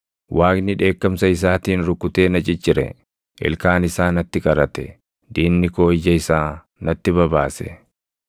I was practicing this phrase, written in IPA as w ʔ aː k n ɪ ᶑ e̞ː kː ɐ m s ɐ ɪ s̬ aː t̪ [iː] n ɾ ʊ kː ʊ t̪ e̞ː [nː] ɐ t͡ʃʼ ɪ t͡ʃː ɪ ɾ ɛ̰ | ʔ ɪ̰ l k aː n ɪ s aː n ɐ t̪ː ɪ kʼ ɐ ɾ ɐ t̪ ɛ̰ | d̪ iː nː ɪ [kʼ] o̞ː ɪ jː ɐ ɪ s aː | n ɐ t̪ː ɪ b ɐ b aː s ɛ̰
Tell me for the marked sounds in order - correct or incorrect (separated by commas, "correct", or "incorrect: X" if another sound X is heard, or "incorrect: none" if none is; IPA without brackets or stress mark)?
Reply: correct, incorrect: n, incorrect: k